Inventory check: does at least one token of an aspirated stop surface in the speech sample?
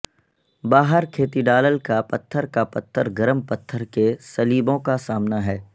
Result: yes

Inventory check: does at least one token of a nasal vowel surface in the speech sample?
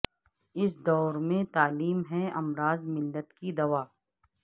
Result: yes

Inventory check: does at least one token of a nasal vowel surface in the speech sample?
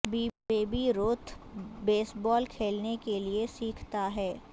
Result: no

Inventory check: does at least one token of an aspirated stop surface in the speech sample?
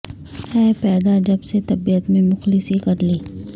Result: no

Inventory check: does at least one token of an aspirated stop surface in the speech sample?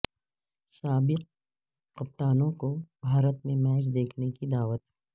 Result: yes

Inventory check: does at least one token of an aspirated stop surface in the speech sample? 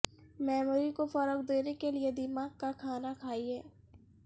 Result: yes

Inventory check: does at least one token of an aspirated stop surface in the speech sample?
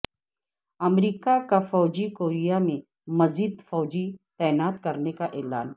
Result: no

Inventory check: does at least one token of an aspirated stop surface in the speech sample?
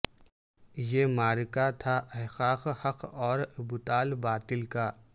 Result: yes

